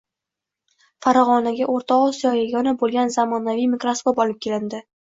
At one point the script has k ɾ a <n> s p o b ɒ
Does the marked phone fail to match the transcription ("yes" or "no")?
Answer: yes